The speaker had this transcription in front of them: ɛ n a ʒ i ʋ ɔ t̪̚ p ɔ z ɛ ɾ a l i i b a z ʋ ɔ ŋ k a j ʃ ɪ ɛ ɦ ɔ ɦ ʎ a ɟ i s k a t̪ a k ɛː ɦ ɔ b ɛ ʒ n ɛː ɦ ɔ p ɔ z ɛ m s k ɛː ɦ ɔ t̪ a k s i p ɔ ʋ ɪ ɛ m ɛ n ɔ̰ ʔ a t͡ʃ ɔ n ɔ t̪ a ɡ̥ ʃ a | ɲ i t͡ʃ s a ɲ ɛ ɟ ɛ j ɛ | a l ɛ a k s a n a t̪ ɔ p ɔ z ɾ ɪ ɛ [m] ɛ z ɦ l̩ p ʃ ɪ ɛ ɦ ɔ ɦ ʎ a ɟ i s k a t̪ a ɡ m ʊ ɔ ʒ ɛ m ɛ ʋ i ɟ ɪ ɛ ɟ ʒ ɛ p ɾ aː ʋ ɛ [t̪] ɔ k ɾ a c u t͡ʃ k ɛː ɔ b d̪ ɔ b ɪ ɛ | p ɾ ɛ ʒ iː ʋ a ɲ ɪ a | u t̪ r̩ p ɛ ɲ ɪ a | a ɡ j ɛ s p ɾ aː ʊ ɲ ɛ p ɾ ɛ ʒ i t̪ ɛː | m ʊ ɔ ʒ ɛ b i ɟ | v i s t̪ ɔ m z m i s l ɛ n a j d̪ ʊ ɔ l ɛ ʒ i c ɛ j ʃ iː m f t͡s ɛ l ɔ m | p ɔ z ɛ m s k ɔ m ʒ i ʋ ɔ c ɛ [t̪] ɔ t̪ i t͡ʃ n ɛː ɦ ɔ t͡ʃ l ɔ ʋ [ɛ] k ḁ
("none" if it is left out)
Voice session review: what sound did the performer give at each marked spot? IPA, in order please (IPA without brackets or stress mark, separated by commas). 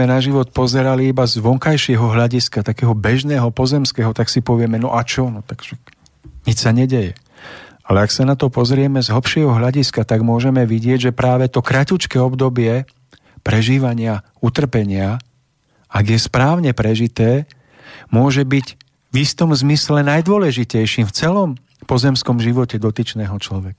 m, t̪, d̪, ɛ